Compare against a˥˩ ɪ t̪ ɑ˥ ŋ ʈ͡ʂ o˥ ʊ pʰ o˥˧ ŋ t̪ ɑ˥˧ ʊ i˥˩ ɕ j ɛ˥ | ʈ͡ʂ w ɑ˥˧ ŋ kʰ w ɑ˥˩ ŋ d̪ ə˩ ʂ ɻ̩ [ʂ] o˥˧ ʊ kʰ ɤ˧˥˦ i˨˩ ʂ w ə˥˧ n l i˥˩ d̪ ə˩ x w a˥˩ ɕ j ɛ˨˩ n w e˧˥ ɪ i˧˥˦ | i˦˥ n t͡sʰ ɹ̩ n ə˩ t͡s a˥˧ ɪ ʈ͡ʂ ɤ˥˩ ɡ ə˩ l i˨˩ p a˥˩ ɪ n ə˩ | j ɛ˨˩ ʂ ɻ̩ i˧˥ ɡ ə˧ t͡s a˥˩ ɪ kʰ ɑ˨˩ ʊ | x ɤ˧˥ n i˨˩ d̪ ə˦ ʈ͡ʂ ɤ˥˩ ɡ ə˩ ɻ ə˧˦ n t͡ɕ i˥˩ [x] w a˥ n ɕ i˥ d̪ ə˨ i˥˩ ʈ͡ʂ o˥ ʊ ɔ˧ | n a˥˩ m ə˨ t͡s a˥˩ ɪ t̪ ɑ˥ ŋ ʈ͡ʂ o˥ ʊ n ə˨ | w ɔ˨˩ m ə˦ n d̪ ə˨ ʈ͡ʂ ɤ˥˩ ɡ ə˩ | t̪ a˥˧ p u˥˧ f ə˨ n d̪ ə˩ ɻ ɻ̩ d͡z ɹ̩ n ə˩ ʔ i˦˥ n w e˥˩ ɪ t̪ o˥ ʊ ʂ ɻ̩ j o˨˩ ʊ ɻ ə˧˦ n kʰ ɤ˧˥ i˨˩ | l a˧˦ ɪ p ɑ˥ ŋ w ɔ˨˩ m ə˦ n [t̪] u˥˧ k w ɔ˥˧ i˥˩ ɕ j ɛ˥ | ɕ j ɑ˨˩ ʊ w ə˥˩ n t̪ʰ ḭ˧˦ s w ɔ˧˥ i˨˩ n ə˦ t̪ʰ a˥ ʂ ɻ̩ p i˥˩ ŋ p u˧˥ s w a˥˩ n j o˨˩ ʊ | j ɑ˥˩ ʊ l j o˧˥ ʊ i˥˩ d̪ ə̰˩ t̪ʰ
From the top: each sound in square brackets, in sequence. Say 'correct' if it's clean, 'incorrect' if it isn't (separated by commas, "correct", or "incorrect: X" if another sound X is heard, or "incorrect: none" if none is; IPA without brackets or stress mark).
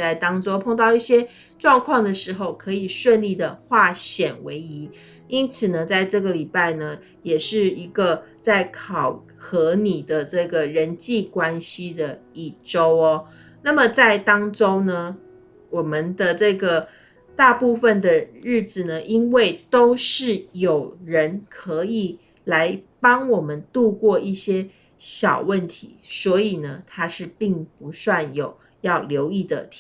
incorrect: x, incorrect: k, correct